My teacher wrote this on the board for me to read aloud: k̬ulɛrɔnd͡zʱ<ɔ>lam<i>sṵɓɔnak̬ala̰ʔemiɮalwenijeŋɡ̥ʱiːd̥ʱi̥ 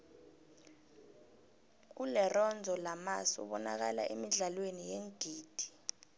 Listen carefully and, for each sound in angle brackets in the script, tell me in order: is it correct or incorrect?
correct, incorrect

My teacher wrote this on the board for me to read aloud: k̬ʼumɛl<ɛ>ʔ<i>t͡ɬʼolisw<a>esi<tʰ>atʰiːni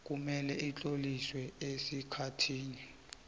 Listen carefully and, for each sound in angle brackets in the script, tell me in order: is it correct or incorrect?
correct, correct, incorrect, incorrect

